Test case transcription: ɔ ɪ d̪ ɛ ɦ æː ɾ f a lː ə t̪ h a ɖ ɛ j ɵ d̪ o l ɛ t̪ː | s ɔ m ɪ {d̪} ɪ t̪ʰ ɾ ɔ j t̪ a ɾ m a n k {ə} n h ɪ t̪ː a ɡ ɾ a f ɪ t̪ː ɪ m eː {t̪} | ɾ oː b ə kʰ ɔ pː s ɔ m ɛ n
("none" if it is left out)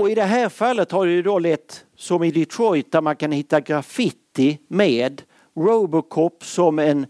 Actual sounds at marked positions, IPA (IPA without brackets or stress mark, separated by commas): d̪, a, d̪